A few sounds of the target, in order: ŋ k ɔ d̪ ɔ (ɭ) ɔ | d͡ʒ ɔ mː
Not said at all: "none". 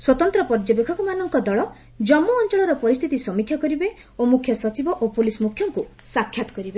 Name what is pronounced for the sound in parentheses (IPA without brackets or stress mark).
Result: ɭ